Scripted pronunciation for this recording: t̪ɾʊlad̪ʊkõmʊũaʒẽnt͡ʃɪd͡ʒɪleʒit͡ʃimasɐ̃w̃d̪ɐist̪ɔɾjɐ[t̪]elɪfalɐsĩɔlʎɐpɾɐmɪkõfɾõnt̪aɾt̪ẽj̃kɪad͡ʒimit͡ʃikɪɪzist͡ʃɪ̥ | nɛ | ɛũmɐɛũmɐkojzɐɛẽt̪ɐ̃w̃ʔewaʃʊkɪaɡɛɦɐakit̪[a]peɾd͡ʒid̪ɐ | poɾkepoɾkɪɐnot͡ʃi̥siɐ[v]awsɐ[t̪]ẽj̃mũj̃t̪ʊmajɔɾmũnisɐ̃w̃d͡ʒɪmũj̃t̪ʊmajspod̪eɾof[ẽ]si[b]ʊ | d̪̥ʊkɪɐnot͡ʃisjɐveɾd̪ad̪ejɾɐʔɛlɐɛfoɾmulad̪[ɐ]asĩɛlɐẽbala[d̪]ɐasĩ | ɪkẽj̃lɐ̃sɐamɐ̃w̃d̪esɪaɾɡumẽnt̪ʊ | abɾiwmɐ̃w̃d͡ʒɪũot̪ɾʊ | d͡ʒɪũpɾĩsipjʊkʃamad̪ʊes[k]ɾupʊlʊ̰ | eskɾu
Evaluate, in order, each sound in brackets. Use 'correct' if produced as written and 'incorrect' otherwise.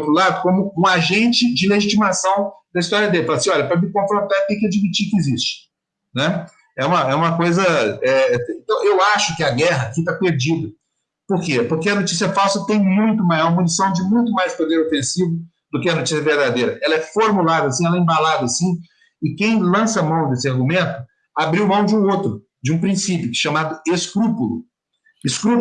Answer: incorrect: d̪, correct, incorrect: f, correct, correct, incorrect: v, correct, correct, correct

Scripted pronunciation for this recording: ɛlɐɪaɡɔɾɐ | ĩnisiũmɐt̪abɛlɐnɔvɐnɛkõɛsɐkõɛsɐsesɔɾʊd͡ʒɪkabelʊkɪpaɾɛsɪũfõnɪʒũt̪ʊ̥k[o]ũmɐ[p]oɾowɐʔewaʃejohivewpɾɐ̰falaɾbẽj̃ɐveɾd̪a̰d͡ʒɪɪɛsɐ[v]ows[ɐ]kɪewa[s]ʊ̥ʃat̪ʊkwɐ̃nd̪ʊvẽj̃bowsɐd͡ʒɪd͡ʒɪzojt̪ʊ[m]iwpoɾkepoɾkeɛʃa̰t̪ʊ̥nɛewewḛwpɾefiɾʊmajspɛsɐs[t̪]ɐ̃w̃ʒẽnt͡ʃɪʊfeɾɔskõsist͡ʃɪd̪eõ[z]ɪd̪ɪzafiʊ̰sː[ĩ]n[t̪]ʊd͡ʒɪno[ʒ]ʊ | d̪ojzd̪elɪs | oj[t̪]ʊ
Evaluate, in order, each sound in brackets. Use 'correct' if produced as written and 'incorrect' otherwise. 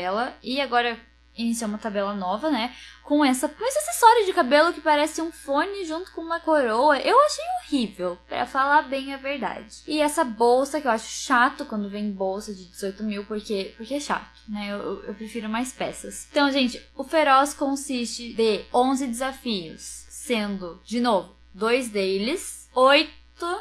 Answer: incorrect: õ, incorrect: k, incorrect: b, correct, incorrect: ʃ, correct, correct, correct, incorrect: ẽ, incorrect: d̪, incorrect: v, correct

